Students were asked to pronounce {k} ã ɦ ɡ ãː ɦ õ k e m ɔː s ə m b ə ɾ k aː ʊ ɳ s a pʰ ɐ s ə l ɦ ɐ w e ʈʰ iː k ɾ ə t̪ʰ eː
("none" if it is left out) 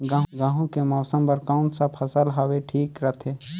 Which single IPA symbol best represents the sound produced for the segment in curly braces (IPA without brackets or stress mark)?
ɡ